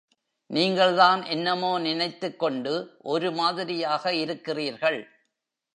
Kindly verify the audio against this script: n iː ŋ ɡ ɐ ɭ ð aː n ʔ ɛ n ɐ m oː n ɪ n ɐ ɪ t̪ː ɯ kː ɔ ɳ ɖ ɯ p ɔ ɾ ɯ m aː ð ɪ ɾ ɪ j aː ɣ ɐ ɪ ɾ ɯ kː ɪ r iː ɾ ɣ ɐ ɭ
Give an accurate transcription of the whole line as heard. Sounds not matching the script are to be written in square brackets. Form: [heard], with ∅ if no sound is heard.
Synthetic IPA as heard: n iː ŋ ɡ ɐ ɭ ð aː n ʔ ɛ [nː] ɐ m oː n ɪ n ɐ ɪ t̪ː ɯ kː ɔ ɳ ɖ ɯ [ʔ] ɔ ɾ ɯ m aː ð ɪ ɾ ɪ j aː ɣ ɐ ɪ ɾ ɯ kː ɪ r iː ɾ ɣ ɐ ɭ